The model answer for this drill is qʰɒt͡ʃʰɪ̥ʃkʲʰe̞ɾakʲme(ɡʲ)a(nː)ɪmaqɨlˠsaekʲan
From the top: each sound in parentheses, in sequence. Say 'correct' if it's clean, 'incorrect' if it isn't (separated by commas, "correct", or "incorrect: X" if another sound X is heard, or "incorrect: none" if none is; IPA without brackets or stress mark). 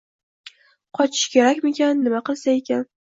incorrect: kʲ, correct